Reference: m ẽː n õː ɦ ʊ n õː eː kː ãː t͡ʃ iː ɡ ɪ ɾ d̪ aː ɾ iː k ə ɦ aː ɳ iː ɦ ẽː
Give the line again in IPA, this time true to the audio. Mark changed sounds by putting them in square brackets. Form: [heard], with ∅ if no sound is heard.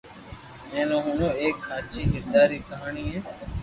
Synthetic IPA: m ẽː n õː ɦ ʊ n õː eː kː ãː t͡ʃ iː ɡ ɪ ɾ d̪ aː ɾ iː k ə ɦ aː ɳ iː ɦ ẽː